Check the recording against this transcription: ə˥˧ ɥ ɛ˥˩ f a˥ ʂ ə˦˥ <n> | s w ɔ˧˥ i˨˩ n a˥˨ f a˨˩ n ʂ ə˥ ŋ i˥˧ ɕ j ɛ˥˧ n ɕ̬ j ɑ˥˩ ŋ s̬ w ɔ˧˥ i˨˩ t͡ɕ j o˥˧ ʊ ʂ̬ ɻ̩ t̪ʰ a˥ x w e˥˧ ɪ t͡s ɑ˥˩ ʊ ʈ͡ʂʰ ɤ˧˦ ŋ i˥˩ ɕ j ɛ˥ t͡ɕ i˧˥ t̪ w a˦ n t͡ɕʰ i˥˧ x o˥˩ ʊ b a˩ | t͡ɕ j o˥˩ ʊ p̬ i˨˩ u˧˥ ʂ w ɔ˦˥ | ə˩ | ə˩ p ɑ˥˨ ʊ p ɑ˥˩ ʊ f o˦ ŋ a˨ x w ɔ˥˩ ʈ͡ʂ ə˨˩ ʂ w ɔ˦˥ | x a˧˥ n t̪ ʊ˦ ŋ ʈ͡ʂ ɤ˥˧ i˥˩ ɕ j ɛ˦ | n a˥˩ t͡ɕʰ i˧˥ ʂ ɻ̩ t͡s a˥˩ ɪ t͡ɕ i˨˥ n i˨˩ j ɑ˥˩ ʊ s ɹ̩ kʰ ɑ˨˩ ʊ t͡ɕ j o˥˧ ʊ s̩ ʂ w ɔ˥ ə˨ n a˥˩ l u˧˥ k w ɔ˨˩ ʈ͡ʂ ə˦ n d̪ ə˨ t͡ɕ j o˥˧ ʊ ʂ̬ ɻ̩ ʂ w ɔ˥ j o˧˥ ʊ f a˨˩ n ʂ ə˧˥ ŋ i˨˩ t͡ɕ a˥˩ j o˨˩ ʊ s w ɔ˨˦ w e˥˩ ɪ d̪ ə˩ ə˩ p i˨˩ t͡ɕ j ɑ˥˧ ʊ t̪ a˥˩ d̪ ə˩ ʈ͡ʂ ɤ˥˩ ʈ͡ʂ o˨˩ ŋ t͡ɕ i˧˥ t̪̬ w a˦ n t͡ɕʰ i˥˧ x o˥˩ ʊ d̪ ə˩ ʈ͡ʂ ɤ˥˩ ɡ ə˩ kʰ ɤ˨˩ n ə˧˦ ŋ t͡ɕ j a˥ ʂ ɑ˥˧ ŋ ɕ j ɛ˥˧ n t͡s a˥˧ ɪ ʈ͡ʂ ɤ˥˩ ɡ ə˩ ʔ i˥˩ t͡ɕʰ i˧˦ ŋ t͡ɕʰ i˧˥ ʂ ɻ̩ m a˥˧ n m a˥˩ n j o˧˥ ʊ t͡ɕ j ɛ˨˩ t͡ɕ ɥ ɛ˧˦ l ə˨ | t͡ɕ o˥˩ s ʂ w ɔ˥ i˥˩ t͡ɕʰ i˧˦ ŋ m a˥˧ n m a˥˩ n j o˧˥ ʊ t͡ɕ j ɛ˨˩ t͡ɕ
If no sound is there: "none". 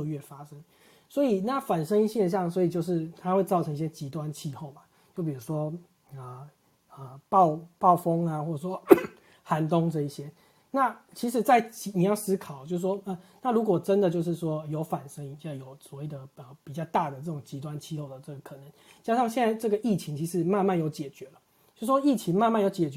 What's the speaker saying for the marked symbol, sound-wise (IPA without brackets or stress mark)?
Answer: ŋ